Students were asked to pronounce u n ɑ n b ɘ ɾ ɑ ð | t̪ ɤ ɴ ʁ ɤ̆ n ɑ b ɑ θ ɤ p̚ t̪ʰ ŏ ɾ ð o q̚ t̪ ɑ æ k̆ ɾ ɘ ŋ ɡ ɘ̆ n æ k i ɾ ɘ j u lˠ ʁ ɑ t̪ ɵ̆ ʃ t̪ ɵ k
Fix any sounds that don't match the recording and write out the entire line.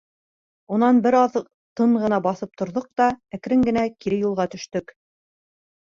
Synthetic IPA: u n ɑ n b ɘ ɾ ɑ ð | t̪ ɤ ɴ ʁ ɤ̆ n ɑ b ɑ θ ɤ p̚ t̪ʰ ŏ ɾ ð o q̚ t̪ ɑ æ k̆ ɾ ɘ ŋ ɡ ɘ̆ n æ k i ɾ ɘ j u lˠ ʁ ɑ t̪ ɵ̆ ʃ t̪ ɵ k